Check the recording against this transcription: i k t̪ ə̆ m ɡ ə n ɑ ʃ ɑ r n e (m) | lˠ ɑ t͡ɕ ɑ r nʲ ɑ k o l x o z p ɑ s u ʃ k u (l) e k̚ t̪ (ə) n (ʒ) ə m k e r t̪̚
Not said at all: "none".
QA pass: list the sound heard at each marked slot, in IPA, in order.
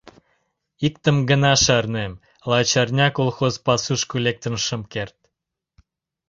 m, l, ə, ʃ

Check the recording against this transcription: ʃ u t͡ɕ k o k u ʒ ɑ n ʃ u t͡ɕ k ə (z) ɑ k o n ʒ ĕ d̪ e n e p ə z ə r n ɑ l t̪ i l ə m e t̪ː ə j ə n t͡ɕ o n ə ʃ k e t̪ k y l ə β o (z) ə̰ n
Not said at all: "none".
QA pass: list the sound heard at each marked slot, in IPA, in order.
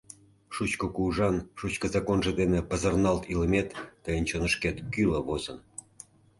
z, z

